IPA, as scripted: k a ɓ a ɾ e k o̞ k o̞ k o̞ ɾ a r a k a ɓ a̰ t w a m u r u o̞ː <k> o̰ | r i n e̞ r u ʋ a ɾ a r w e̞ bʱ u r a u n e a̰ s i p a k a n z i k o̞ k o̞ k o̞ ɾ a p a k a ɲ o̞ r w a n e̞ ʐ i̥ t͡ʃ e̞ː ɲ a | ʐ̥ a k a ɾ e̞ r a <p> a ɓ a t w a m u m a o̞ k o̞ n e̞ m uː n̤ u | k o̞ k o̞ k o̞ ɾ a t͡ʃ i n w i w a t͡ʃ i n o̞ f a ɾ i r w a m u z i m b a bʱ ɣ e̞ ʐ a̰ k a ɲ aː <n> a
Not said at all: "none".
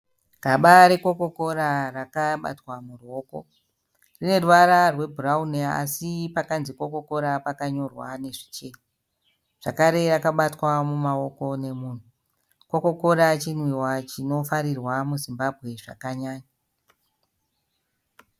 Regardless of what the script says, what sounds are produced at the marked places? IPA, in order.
k, k, ɲ

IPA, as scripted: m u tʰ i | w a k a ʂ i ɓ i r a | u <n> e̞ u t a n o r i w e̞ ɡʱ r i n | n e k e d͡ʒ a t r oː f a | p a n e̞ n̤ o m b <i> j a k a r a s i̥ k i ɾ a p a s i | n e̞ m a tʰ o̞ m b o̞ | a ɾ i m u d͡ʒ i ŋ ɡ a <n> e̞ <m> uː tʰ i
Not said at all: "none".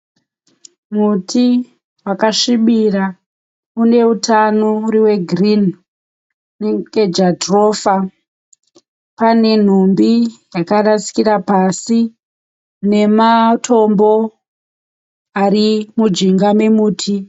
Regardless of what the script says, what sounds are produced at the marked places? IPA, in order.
n, i, m, m

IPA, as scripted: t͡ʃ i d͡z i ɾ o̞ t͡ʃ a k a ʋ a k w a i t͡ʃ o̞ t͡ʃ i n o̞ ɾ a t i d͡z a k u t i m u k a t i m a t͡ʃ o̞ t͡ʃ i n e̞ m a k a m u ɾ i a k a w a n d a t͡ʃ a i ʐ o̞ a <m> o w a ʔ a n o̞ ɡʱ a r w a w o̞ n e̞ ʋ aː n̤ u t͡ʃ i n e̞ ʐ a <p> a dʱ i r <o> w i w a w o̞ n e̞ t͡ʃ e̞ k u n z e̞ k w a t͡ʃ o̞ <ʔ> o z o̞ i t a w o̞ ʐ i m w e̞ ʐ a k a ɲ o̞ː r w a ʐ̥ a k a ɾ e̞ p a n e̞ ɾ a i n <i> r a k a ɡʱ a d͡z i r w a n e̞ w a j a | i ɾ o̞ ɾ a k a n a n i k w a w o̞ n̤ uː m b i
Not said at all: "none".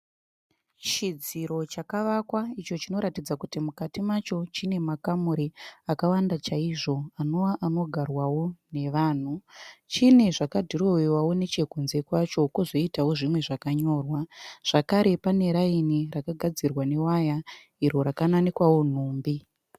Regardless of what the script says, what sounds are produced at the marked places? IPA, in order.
n, k, o, k, i

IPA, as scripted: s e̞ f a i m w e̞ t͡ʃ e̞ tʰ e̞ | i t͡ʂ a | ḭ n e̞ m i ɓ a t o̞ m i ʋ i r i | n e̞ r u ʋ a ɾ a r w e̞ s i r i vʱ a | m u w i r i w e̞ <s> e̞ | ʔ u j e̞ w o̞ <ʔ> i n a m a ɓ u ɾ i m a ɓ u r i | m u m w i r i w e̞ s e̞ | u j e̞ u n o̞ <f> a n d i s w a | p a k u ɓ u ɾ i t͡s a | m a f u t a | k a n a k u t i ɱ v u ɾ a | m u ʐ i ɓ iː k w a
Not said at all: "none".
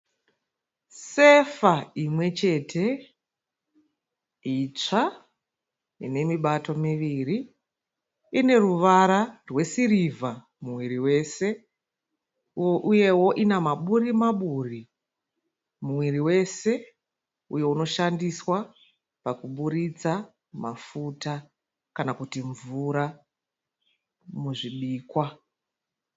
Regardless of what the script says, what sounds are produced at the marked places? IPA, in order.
s, ʔ, ʃ

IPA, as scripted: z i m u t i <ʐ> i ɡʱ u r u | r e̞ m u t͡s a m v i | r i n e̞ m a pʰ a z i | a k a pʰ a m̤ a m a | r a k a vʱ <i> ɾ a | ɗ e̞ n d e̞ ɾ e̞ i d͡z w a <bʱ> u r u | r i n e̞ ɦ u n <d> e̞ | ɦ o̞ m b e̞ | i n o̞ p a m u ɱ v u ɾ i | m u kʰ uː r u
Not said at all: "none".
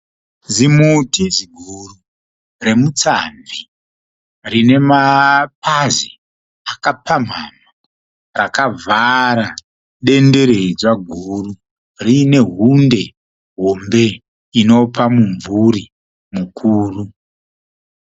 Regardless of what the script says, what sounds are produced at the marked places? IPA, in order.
z, a, ɡʱ, d

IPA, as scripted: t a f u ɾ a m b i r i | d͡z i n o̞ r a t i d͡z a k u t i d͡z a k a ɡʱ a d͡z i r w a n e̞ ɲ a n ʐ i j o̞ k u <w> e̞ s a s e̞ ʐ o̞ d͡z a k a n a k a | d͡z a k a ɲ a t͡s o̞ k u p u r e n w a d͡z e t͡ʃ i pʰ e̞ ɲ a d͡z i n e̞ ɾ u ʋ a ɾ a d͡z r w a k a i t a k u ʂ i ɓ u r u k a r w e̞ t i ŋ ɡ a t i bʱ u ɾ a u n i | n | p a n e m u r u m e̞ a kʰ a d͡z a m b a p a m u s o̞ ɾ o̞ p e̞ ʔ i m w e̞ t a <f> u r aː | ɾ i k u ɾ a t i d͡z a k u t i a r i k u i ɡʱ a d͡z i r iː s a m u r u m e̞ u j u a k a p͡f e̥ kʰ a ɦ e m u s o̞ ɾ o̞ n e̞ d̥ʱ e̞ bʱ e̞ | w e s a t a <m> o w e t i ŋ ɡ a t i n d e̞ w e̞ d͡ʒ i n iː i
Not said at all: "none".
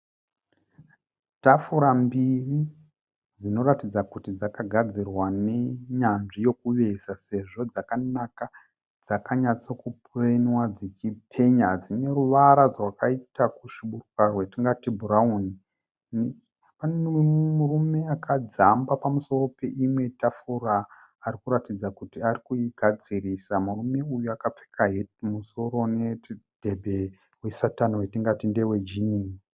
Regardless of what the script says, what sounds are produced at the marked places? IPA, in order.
ʋ, f, n

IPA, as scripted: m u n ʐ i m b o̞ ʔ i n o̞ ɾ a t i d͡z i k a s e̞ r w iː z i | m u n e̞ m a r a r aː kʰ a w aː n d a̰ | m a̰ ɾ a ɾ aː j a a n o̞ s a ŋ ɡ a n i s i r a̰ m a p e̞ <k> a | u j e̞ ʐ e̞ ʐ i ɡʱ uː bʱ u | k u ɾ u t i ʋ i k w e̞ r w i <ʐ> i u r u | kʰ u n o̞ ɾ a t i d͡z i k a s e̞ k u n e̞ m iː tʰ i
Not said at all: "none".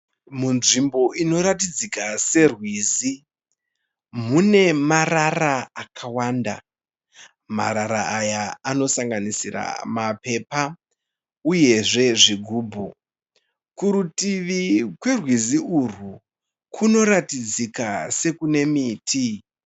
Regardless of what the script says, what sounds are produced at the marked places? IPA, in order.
p, z

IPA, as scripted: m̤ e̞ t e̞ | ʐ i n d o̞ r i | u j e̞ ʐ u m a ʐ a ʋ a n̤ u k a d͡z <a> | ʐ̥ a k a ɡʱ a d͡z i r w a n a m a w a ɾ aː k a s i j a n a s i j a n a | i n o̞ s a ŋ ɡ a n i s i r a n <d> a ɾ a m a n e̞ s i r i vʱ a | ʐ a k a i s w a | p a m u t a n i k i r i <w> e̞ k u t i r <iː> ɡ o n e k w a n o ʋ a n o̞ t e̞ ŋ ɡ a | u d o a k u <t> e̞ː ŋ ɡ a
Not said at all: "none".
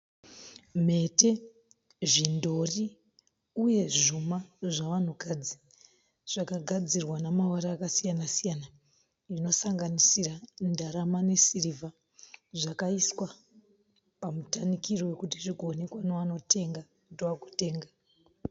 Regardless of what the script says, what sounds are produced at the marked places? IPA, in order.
i, d, w, i, t

